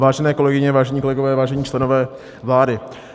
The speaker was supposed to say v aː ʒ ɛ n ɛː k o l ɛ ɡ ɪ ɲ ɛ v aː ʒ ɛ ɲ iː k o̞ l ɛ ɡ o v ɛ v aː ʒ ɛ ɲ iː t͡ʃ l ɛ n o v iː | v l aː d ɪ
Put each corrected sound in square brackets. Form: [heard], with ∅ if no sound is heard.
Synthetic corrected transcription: v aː ʒ ɛ n ɛː k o l ɛ ɡ ɪ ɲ ɛ v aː ʒ ɛ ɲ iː k o̞ l ɛ ɡ o v [ɛː] v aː ʒ ɛ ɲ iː t͡ʃ l ɛ n o v [ɛː] | v l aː d ɪ